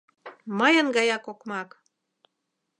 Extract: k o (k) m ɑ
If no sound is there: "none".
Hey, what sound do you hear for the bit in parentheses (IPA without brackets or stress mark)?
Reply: k